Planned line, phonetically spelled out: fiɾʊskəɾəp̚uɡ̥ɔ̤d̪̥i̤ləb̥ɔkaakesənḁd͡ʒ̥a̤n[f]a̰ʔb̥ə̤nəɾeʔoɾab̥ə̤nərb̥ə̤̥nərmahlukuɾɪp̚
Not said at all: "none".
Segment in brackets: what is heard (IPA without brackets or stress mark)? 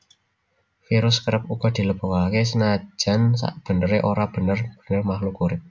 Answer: s